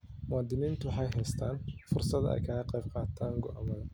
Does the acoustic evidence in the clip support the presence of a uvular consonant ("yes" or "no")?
yes